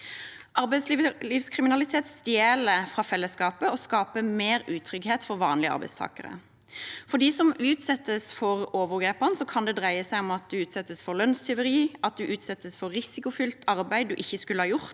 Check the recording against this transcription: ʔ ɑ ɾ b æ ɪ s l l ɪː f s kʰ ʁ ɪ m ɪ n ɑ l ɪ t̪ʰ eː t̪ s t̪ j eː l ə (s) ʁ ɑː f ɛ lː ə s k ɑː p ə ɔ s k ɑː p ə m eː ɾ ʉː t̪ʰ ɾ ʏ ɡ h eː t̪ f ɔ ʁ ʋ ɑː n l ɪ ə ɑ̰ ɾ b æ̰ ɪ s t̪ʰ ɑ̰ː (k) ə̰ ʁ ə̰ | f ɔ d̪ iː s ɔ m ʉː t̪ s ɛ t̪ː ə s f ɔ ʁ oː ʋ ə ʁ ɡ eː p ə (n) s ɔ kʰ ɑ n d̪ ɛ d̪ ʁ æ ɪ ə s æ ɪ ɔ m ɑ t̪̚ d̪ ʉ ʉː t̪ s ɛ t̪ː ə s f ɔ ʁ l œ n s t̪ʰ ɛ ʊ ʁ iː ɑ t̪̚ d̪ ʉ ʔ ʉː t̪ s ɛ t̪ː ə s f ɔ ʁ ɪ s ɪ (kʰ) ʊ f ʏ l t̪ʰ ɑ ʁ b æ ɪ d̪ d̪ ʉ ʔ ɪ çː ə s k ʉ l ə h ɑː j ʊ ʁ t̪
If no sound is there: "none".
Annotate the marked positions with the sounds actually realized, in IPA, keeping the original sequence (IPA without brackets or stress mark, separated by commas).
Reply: f, k, n, k